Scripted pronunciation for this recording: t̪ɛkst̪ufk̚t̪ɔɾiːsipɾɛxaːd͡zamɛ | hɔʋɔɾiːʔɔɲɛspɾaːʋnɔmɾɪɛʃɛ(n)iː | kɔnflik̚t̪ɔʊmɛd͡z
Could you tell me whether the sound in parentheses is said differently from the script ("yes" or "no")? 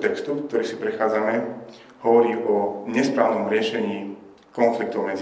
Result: yes